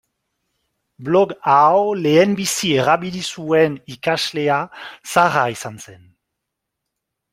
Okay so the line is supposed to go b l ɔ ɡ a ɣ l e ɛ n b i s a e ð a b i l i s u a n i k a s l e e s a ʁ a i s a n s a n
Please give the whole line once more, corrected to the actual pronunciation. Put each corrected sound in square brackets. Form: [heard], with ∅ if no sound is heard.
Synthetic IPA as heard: b l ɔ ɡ a [w] l e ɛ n b i s [i] e [ʁ] a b i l i s u [ɛ] n i k a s l e [a] s a ʁ a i s a n s [ɛ] n